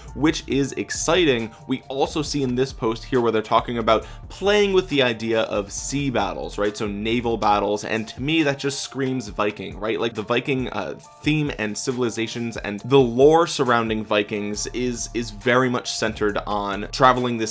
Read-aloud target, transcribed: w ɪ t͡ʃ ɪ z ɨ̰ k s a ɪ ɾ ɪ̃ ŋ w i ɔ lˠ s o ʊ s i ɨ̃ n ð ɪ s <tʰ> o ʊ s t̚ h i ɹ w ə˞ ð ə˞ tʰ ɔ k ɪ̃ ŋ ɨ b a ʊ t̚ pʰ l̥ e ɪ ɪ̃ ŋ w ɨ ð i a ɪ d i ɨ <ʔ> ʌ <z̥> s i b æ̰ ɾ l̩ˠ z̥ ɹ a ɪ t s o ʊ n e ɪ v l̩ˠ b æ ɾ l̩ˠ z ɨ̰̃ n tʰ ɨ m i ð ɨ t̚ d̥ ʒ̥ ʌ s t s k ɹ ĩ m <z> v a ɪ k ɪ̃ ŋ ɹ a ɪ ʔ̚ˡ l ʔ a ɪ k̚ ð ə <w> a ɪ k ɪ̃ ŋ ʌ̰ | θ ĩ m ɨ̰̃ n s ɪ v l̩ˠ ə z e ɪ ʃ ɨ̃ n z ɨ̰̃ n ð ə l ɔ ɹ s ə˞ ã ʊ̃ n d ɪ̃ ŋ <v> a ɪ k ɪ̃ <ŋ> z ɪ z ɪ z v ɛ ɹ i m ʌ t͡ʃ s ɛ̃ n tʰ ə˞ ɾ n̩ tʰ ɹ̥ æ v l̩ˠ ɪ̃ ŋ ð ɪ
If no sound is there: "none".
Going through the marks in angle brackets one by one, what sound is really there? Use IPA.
pʰ, ʔ, v̥, z, v, v, ŋ

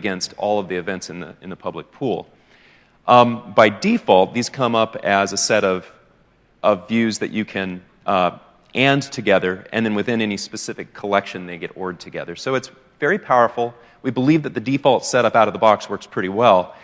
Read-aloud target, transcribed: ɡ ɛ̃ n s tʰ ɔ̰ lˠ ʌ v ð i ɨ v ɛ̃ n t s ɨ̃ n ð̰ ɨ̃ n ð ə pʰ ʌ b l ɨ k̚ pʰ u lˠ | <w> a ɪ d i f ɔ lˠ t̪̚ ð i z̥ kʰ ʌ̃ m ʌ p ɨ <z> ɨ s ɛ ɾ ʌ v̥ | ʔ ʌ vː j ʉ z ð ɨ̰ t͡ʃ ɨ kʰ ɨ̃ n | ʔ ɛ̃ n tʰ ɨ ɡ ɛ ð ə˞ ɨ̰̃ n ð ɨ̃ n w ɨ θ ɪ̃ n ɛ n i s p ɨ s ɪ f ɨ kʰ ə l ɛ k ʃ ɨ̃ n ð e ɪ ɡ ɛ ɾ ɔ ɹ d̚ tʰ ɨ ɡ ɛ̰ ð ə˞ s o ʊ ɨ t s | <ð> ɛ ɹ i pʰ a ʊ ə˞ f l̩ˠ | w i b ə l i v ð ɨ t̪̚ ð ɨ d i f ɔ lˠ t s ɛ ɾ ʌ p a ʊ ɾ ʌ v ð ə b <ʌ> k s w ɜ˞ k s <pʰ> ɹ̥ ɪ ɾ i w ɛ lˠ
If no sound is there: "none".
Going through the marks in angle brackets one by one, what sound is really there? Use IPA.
b, z, v, ɑ, pʰ

